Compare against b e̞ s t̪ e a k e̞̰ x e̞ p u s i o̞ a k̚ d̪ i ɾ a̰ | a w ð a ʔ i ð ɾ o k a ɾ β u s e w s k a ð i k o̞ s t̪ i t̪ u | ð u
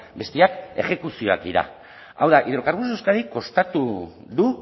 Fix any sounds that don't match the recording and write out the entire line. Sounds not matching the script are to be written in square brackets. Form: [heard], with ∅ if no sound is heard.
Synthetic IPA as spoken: b e̞ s t̪ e a k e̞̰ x e̞ [k] u s i o̞ a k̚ d̪ i ɾ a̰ | a w ð a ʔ i ð ɾ o k a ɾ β u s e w s k a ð i k o̞ s t̪ [a] t̪ u | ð u

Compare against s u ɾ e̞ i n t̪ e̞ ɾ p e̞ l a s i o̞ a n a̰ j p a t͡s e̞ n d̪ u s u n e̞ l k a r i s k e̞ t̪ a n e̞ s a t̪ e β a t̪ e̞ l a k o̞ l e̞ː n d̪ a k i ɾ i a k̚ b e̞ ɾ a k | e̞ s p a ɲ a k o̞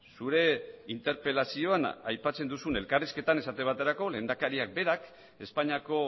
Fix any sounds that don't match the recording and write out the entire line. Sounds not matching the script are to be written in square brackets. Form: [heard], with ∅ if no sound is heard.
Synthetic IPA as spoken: s u ɾ e̞ i n t̪ e̞ ɾ p e̞ l a s i o̞ a n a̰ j p a t͡s e̞ n d̪ u s u n e̞ l k a r i s k e̞ t̪ a n e̞ s a t̪ e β a t̪ e̞ [ɾ] a k o̞ l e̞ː n d̪ a k [a] ɾ i a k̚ b e̞ ɾ a k | e̞ s p a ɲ a k o̞

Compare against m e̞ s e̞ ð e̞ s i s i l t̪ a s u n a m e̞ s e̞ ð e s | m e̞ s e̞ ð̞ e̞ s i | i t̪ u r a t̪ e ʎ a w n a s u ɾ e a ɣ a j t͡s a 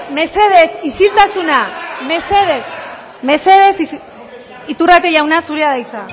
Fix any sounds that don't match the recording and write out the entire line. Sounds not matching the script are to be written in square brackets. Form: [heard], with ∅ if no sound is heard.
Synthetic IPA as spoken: m e̞ s e̞ ð e̞ s i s i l t̪ a s u n a m e̞ s e̞ ð e s | m e̞ s e̞ ð̞ e̞ s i | i t̪ u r a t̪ e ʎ a w n a s u ɾ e a [ð] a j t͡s a

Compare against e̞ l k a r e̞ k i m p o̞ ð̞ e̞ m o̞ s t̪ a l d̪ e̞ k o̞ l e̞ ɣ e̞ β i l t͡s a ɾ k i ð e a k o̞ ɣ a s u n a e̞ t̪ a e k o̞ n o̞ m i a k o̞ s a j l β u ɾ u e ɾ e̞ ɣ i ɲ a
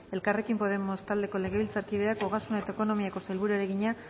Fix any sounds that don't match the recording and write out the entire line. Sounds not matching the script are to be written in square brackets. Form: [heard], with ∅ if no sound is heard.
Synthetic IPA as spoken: e̞ l k a r e̞ k i m p o̞ ð̞ e̞ m o̞ s t̪ a l d̪ e̞ k o̞ l e̞ ɣ e̞ β i l t͡s a ɾ k i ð e a k o̞ ɣ a s u n a e̞ t̪ a e k o̞ n o̞ m i a k o̞ s a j l β u ɾ u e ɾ e̞ ɣ i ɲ a

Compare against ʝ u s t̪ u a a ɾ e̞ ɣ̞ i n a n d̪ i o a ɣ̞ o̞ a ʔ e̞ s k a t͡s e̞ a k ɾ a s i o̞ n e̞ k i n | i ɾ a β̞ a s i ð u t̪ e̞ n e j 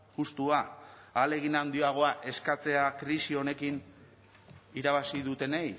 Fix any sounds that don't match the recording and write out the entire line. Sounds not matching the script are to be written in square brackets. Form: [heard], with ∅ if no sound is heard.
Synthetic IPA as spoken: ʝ u s t̪ u a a [l] e̞ ɣ̞ i n a n d̪ i o a ɣ̞ o̞ a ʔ e̞ s k a t͡s e̞ a k ɾ [i] s i o̞ n e̞ k i n | i ɾ a β̞ a s i ð u t̪ e̞ n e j

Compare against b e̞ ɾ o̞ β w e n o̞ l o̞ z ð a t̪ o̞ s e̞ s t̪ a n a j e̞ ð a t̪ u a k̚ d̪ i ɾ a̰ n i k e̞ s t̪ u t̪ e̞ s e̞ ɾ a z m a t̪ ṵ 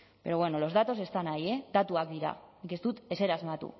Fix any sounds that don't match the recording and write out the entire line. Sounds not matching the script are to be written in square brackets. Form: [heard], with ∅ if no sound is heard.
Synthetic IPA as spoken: b e̞ ɾ o̞ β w e n o̞ l o̞ z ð a t̪ o̞ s e̞ s t̪ a n a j e̞ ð a t̪ u a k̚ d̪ i ɾ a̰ n i k e̞ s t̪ u t̪ e̞ s e̞ ɾ a z m a t̪ ṵ

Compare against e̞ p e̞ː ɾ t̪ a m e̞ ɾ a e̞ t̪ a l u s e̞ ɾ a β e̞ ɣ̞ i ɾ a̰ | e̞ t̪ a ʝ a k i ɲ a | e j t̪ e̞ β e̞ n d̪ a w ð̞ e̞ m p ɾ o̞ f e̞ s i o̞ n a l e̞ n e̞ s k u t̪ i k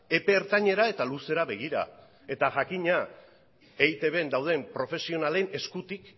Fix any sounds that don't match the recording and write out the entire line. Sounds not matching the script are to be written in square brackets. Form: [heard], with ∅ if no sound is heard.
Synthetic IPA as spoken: e̞ p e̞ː ɾ t̪ a [ɲ] e̞ ɾ a e̞ t̪ a l u s e̞ ɾ a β e̞ ɣ̞ i ɾ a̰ | e̞ t̪ a ʝ a k i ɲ a | e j t̪ e̞ β e̞ n d̪ a w ð̞ e̞ m p ɾ o̞ f e̞ s i o̞ n a l e̞ n e̞ s k u t̪ i k

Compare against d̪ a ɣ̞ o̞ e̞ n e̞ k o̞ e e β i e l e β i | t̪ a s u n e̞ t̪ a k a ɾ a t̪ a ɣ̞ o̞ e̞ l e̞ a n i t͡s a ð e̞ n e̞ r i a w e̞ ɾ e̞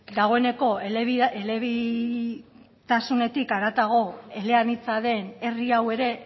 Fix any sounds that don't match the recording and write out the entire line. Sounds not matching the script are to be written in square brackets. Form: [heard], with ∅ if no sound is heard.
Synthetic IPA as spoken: d̪ a ɣ̞ o̞ e̞ n e̞ k o̞ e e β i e l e β i | t̪ a s u n e̞ t̪ [i] k a ɾ a t̪ a ɣ̞ o̞ e̞ l e̞ a n i t͡s a ð e̞ n e̞ r i a w e̞ ɾ e̞

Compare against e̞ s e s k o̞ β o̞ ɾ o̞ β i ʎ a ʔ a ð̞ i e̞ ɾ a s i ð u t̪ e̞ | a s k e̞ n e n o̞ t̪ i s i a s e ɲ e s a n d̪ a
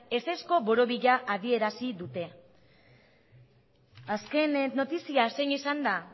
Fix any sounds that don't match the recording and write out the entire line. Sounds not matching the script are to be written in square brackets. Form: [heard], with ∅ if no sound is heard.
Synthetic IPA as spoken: e̞ s e s k o̞ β o̞ ɾ o̞ β i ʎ a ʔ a ð̞ i e̞ ɾ a s i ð u t̪ e̞ | a s k e̞ n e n o̞ t̪ i s i a s e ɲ [i] s a n d̪ a

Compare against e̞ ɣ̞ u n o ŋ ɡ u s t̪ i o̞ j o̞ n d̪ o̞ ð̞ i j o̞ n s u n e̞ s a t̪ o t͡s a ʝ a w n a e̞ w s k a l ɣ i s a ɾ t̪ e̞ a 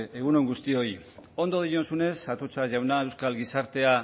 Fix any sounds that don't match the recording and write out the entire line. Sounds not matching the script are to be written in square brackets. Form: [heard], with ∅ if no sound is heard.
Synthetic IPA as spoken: e̞ ɣ̞ u n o ŋ ɡ u s t̪ i o̞ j o̞ n d̪ o̞ ð̞ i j o̞ n s u n e̞ s a t̪ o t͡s a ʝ a w n a e̞ w s k a l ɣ i s a ɾ t̪ e̞ a

